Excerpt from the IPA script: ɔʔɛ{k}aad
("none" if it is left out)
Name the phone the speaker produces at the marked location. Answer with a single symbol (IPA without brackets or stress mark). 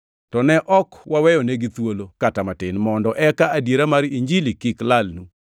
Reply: k